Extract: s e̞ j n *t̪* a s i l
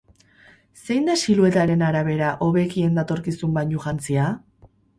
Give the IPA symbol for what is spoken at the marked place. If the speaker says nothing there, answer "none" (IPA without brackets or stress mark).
d̪